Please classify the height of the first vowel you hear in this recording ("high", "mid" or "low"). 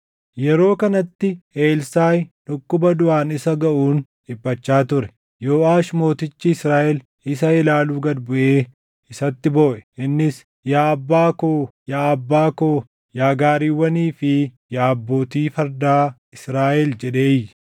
mid